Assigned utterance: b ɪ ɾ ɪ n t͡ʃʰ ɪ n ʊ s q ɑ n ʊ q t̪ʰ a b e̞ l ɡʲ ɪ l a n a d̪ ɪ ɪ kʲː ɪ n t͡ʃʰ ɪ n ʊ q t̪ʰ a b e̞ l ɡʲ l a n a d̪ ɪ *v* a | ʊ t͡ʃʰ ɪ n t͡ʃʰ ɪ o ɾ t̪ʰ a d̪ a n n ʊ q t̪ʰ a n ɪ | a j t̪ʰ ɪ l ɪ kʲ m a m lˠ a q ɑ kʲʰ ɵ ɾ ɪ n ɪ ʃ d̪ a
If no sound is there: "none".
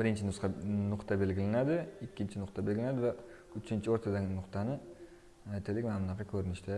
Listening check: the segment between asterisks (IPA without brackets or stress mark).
v